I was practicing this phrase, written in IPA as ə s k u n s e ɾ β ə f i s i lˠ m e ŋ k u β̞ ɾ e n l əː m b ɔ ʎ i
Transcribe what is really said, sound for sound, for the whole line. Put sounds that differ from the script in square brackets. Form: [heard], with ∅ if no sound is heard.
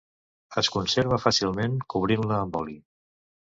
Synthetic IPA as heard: ə s k u n s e ɾ β ə f [a] s i lˠ m e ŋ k u β̞ ɾ [i] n l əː m b ɔ [l] i